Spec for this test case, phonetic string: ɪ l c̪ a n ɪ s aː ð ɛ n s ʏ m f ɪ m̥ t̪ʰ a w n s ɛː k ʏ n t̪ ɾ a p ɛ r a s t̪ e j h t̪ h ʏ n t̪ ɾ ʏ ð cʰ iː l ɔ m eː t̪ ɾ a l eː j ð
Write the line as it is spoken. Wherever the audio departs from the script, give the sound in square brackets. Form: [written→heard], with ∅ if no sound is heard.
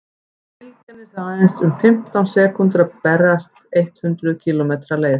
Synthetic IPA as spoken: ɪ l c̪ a n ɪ s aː ð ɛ n s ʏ m f ɪ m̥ [t̪ʰ→t̪] a w n s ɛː k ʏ n t̪ ɾ a p ɛ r a s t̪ e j h t̪ h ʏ n t̪ ɾ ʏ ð cʰ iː l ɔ m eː t̪ ɾ a l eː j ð